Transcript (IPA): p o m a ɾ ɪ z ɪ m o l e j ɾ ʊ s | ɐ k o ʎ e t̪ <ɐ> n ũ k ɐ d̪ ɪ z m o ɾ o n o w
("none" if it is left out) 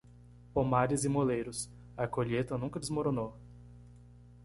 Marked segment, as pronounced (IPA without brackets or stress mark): ɐ